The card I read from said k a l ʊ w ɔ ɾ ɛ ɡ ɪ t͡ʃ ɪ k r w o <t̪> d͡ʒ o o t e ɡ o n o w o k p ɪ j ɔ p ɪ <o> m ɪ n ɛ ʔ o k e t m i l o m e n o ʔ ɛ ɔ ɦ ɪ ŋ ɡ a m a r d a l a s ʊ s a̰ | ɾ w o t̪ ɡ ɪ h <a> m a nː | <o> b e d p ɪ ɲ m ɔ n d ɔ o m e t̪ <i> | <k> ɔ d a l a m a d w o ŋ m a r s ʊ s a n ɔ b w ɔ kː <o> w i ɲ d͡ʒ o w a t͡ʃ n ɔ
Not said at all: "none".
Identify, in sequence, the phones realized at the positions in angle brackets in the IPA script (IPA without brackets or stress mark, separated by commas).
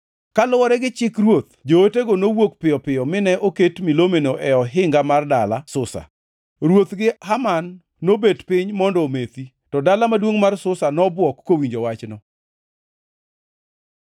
t̪, ɔ, a, o, i, t, o